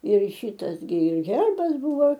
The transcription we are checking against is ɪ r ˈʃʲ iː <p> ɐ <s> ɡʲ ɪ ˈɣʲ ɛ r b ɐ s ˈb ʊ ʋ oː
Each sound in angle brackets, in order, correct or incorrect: incorrect: t, correct

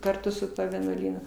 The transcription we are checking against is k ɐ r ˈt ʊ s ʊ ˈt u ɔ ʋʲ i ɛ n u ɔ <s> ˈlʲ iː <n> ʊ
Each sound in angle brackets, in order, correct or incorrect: incorrect: none, correct

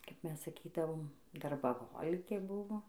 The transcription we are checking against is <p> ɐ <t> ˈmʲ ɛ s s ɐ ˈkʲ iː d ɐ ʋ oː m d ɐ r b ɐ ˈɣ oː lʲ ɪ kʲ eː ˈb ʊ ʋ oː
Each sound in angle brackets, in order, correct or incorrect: incorrect: k, incorrect: p

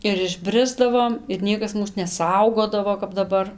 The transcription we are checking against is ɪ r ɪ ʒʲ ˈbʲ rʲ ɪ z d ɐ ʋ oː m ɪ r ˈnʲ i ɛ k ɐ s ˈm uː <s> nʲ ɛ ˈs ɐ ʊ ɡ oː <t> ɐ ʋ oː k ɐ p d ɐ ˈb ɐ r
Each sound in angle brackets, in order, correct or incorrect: correct, incorrect: d

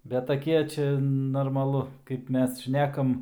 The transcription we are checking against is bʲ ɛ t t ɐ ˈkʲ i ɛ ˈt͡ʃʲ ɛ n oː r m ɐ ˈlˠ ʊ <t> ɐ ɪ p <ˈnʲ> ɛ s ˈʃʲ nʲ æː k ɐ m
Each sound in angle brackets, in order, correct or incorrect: incorrect: k, incorrect: mʲ

